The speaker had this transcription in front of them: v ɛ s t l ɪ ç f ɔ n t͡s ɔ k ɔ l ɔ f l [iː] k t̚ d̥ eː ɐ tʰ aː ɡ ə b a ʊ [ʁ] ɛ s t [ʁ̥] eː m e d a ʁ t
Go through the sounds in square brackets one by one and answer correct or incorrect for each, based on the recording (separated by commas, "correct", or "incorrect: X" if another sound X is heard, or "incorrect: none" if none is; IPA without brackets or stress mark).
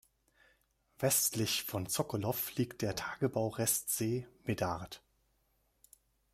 correct, correct, incorrect: z̥